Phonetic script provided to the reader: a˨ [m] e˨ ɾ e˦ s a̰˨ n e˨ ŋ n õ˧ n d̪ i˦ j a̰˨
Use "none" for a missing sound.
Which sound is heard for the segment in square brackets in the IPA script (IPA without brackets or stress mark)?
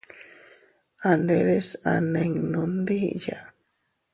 n